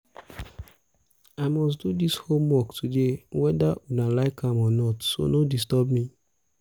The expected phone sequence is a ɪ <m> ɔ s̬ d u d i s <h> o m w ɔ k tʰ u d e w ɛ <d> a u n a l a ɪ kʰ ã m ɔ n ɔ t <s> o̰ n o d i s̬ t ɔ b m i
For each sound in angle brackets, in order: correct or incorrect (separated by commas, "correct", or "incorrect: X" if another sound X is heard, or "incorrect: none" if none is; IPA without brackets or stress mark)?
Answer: correct, correct, correct, correct